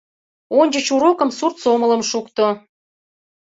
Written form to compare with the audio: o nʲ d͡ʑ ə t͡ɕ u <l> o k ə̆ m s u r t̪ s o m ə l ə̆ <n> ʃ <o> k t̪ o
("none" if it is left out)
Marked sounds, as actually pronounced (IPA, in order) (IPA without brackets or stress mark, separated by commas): ɾ, m, u